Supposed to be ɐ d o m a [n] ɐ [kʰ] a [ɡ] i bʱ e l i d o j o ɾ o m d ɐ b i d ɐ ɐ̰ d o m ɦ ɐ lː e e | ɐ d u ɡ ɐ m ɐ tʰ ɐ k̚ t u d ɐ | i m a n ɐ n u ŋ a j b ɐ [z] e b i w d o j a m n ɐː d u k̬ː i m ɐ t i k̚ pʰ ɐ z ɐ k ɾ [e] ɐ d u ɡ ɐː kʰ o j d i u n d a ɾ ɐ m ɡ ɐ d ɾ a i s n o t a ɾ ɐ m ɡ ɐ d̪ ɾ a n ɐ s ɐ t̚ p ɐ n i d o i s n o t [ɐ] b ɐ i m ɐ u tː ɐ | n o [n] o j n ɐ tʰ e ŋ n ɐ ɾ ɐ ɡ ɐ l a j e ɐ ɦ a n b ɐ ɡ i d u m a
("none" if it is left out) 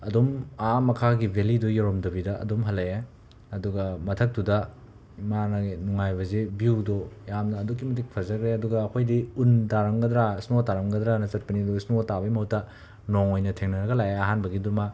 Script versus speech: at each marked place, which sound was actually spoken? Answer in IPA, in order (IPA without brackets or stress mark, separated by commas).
m, kʰ, ɡ, z, e, a, ŋ